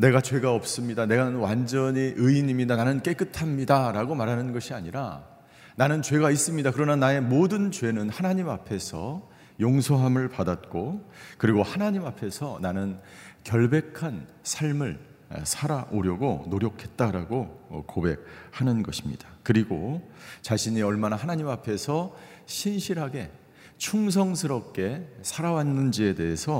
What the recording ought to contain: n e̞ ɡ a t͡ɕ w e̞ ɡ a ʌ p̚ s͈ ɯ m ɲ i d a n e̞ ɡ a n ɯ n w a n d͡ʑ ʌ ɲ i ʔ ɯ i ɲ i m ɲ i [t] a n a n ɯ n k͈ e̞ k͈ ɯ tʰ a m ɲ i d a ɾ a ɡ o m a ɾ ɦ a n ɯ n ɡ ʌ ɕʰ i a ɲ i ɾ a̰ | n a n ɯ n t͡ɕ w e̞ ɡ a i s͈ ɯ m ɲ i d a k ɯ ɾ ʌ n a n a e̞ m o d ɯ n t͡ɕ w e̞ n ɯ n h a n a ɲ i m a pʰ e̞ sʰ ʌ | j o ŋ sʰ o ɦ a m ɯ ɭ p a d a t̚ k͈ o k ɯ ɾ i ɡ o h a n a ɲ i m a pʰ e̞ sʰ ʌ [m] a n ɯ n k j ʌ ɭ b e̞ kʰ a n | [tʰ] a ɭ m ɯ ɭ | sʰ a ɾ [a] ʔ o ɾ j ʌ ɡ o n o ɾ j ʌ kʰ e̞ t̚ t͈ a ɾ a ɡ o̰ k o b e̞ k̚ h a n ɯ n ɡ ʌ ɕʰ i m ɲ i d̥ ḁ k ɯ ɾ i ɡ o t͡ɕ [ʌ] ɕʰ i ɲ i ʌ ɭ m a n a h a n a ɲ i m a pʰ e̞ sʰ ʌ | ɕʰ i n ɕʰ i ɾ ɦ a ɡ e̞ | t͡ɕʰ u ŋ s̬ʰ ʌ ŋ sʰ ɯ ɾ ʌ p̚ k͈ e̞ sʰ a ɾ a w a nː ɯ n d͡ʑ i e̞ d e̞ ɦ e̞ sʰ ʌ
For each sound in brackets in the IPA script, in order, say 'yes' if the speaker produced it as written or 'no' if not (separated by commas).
no, no, no, yes, no